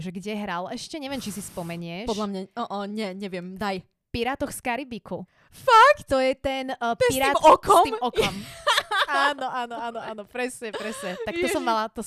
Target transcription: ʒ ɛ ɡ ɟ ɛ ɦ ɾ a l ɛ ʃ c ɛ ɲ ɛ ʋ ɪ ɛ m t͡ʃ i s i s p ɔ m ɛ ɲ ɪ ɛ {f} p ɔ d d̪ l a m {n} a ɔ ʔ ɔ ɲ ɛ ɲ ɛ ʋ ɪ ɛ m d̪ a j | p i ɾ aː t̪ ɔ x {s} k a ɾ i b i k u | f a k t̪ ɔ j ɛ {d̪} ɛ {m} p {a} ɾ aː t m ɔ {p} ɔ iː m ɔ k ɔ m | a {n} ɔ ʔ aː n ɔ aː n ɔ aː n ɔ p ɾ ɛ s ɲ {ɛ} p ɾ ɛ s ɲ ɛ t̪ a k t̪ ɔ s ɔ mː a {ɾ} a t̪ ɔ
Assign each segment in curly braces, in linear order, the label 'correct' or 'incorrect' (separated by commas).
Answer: incorrect, incorrect, correct, incorrect, incorrect, incorrect, incorrect, correct, correct, incorrect